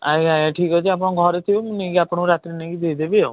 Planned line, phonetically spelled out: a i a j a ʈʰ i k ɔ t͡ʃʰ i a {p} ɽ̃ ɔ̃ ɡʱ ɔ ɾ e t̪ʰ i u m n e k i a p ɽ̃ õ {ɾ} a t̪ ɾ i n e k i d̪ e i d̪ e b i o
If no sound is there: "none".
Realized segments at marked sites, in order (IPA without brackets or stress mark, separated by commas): p, ɾ